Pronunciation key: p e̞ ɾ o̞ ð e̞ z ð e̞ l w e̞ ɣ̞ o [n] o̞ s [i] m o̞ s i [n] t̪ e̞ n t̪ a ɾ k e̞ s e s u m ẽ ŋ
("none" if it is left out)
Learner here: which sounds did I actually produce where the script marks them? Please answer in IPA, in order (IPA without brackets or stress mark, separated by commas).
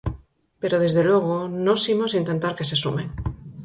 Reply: n, i, n